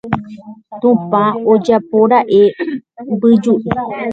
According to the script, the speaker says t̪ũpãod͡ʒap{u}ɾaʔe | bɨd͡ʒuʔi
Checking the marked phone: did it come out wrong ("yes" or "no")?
yes